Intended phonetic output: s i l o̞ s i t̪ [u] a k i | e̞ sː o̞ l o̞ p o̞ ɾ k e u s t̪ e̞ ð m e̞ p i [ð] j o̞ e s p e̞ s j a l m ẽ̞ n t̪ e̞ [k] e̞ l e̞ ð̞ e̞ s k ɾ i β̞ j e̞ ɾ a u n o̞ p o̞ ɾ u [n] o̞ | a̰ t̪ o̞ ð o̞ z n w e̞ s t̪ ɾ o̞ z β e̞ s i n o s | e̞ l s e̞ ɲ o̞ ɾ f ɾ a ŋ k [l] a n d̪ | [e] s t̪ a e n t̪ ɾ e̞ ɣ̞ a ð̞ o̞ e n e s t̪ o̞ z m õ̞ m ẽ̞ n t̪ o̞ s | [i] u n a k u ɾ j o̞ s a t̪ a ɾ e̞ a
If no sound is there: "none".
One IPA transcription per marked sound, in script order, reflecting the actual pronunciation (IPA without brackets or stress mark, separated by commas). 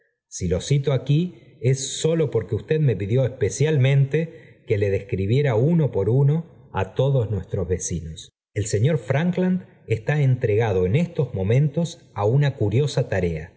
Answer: o, ð, k, n, l, e, a